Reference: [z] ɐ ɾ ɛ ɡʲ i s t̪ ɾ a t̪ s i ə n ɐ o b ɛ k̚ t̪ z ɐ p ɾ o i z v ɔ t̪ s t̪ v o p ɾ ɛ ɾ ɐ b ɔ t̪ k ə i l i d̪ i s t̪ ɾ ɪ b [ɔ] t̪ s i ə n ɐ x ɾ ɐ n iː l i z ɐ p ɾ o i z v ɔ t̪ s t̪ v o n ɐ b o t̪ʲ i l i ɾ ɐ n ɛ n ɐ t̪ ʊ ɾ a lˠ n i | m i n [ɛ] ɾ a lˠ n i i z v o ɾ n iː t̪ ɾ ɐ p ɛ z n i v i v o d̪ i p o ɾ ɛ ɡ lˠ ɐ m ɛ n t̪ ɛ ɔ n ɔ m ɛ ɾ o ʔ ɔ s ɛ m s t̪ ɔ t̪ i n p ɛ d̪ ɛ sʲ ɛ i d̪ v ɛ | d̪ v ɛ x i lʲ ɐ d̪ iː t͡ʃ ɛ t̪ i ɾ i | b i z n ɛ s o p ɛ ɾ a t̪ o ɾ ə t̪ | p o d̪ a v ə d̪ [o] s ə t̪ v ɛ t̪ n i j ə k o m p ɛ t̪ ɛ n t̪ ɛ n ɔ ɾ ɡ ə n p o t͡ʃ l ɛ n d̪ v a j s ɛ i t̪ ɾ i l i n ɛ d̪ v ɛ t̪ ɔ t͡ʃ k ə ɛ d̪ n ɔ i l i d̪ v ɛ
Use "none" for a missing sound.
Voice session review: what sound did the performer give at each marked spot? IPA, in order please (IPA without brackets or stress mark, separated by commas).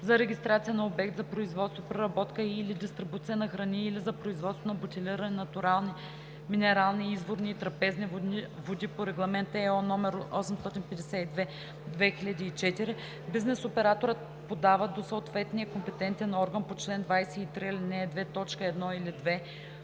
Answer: z, u, ɛ, o